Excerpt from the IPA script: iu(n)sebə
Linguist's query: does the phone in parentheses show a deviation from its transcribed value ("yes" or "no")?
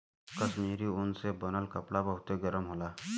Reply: no